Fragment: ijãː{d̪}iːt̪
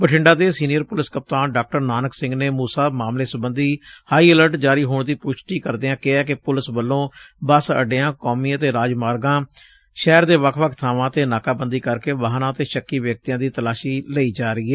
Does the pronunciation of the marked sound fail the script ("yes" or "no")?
no